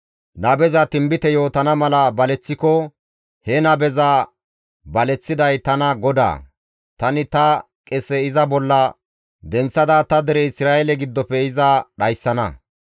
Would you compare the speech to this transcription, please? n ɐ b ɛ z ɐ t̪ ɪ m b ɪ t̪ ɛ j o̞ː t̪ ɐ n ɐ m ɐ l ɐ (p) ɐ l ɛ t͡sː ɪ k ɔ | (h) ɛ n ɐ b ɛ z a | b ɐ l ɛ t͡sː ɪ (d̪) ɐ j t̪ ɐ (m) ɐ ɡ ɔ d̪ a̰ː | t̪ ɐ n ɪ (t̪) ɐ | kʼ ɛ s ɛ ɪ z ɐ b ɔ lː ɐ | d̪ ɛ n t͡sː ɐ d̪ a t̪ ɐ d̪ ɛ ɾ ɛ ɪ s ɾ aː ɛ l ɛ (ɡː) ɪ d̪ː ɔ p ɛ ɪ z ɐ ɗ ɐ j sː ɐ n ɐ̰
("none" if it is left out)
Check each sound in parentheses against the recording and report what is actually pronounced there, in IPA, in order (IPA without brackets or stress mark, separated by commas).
b, h, d̪, n, t̪, ɡ